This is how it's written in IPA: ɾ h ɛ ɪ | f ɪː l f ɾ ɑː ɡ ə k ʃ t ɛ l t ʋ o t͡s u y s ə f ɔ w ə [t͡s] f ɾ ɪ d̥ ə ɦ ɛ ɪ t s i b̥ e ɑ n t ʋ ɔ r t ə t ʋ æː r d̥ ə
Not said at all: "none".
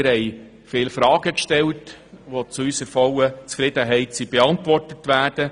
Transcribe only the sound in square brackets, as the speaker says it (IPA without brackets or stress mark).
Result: t͡s